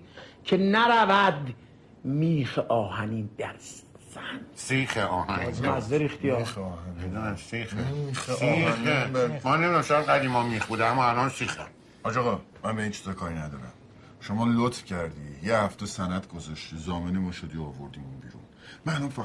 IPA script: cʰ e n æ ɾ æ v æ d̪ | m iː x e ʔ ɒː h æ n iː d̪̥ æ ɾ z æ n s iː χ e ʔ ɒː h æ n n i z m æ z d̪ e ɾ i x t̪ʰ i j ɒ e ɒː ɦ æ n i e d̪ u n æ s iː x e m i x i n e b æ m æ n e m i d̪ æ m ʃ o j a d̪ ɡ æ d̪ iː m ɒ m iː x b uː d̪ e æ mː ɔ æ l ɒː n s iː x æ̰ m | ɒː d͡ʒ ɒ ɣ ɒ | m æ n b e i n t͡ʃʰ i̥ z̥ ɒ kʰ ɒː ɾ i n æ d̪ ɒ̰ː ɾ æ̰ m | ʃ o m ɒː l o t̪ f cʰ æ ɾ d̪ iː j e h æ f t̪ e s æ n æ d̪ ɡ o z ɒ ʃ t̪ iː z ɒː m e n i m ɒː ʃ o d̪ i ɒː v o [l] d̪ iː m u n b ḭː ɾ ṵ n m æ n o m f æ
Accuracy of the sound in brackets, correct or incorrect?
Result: incorrect